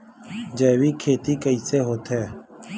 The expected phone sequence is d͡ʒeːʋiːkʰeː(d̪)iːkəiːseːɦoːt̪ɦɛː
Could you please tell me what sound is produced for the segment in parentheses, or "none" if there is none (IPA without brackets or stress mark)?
t̪